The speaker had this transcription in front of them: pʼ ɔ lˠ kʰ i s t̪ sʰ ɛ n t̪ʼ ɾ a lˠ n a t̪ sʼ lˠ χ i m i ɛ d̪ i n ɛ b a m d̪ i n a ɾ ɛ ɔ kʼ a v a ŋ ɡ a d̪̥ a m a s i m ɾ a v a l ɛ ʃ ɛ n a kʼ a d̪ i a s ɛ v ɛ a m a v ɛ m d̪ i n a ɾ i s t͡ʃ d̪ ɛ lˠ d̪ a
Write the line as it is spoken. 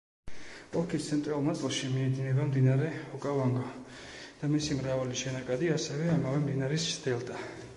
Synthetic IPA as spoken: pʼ ɔ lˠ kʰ i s t̪ sʰ ɛ n t̪ʼ ɾ a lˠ n a t̪ sʼ lˠ ʃ i m i ɛ d̪ i n ɛ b a m d̪ i n a ɾ ɛ ɔ kʼ a v a ŋ ɡ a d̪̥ a m i s i m ɾ a v a l i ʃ ɛ n a kʼ a d̪ i a s ɛ v ɛ a m a v ɛ m d̪ i n a ɾ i s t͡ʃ d̪ ɛ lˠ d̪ a